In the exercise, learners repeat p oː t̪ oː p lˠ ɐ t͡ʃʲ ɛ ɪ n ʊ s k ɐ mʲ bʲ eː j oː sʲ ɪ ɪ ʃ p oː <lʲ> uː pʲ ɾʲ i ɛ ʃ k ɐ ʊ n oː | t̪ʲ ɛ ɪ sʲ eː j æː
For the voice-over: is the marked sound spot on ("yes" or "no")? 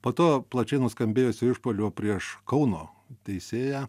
yes